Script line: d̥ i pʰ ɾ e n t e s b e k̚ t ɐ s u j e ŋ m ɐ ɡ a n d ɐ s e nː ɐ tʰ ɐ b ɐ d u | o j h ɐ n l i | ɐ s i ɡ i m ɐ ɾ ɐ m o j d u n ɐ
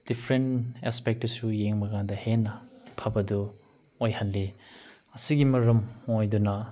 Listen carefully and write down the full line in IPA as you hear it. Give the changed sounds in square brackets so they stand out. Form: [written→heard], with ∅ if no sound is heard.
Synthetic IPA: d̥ i pʰ ɾ e n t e s [b→p] e k̚ t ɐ s u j e ŋ m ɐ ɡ a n d ɐ [s→h] e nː ɐ [tʰ→pʰ] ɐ b ɐ d u | o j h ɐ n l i | ɐ s i ɡ i m ɐ ɾ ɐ m o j d u n ɐ